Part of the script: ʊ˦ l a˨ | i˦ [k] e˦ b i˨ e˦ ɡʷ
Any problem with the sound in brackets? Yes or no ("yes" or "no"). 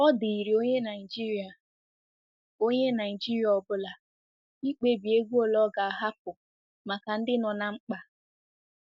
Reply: yes